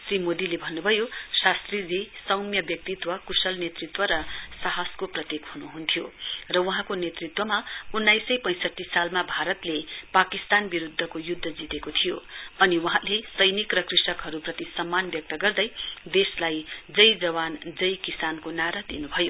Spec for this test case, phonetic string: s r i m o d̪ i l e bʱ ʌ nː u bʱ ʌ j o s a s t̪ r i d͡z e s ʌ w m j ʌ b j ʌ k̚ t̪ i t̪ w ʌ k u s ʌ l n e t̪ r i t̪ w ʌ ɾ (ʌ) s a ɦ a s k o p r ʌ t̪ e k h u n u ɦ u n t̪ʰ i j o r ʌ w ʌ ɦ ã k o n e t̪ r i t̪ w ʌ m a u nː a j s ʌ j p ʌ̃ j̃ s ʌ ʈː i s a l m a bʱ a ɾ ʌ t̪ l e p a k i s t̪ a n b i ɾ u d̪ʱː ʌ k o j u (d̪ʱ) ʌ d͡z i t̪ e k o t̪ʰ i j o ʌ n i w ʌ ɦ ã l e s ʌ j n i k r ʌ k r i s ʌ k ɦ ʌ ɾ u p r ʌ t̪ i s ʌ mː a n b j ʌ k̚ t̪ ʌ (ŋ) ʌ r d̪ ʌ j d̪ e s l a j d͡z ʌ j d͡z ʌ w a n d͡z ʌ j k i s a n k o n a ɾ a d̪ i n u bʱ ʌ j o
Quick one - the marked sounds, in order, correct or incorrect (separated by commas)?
correct, incorrect, incorrect